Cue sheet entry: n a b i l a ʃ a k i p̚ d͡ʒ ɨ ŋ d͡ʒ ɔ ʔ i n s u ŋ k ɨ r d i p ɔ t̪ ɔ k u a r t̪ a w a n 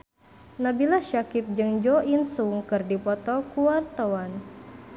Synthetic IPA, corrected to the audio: n a b i l a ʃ a k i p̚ d͡ʒ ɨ ŋ d͡ʒ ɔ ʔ i n s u ŋ k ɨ r d i p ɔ t̪ ɔ k u a r t̪ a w a n